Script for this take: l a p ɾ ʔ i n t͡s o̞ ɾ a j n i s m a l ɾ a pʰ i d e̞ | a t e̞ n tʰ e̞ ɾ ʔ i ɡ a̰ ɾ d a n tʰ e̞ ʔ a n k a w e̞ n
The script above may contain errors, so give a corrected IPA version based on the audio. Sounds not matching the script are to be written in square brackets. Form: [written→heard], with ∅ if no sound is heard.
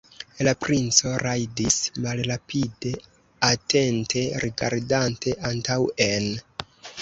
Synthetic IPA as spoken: l a p ɾ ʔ i n t͡s o̞ ɾ a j [n→d] i s m a l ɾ a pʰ i d e̞ | a t e̞ n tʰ e̞ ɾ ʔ i ɡ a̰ ɾ d a n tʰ e̞ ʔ a n [k→t] a w e̞ n